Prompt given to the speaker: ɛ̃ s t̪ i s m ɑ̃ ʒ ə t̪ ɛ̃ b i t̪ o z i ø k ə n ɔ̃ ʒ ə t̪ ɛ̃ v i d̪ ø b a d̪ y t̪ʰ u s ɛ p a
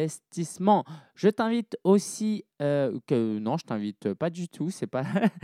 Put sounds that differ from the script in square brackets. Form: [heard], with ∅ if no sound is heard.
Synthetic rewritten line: [ɛ] s t̪ i s m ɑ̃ ʒ ə t̪ ɛ̃ [v] i t̪ o [s] i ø k ə n ɔ̃ ʒ ə t̪ ɛ̃ v i [t̪] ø [p] a d̪ y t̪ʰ u s ɛ p a